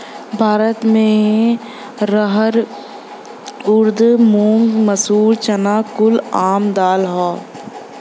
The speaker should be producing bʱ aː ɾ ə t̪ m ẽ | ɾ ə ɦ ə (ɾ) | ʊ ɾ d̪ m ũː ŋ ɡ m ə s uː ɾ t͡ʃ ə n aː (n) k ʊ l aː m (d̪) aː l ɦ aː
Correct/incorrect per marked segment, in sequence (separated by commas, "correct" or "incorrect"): correct, incorrect, correct